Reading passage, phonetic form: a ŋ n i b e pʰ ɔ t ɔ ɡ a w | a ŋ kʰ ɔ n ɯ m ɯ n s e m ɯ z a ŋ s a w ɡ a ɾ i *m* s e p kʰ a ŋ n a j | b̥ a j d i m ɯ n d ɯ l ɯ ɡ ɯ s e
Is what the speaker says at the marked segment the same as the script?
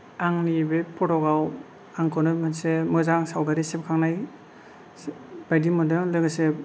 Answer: no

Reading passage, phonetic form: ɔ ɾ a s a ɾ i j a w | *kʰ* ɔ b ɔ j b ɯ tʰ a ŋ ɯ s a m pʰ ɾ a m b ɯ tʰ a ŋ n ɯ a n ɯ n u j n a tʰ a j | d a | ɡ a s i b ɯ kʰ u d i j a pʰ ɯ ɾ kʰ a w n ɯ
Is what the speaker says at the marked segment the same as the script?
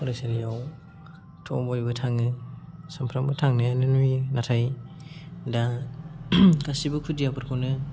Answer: no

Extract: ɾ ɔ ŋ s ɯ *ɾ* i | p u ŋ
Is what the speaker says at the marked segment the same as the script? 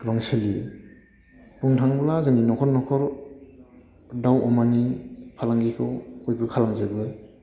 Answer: no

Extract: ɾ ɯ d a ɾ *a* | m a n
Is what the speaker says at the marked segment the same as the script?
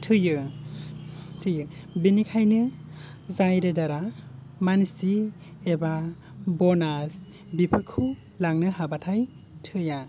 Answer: yes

